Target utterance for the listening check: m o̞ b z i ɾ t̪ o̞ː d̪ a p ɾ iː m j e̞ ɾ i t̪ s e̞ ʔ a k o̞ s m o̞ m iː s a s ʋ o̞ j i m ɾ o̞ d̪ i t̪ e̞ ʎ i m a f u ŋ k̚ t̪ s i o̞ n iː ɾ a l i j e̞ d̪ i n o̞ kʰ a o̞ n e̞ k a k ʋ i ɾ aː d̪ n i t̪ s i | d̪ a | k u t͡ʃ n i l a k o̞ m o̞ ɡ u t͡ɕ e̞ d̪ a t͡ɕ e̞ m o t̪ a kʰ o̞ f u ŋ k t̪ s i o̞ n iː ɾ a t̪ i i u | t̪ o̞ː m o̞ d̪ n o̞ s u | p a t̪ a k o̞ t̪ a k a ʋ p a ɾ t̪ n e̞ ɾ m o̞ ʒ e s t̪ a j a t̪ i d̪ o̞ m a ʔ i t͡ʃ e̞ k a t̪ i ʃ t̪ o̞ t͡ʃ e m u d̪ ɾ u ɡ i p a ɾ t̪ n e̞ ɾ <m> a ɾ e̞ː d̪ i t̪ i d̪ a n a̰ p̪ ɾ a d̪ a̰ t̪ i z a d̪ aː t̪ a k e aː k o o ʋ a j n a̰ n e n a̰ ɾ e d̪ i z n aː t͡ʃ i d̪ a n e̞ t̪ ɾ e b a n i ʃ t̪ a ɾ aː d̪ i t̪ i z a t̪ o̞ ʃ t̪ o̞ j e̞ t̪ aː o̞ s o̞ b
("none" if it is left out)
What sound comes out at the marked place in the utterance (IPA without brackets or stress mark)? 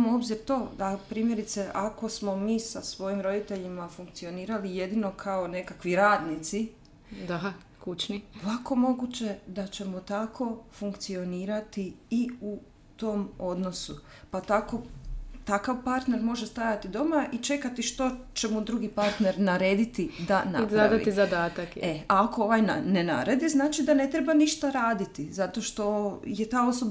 n